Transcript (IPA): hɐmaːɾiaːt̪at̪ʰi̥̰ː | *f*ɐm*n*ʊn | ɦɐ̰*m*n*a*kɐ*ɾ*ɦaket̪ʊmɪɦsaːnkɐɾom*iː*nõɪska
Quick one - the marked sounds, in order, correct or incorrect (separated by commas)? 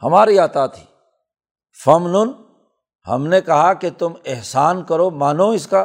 correct, correct, correct, incorrect, incorrect, incorrect